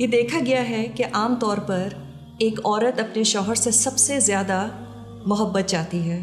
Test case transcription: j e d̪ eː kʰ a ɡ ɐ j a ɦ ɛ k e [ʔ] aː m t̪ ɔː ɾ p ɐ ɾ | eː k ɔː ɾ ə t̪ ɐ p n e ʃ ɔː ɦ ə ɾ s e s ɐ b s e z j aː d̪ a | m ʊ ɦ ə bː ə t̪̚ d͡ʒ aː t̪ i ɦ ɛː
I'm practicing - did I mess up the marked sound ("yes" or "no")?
no